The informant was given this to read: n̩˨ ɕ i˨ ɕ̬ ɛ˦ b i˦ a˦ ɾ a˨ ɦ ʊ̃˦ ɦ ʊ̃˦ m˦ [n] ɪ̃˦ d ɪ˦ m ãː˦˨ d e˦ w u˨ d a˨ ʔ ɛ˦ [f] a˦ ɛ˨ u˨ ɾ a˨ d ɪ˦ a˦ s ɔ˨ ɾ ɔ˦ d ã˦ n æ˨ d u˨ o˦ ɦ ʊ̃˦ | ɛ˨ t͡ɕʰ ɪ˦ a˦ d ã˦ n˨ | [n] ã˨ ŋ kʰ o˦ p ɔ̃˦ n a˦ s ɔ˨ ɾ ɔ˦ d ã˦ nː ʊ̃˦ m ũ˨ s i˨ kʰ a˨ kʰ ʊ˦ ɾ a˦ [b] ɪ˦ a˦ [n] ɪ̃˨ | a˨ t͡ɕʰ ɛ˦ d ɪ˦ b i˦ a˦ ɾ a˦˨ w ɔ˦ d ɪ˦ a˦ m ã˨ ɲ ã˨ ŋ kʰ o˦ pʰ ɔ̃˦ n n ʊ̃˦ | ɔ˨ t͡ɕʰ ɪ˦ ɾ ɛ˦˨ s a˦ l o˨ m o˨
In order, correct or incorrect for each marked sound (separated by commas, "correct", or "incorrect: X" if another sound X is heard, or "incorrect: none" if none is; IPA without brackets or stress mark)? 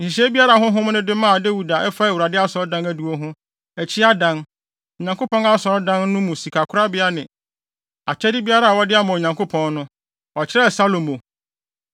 correct, correct, incorrect: ɲ, correct, correct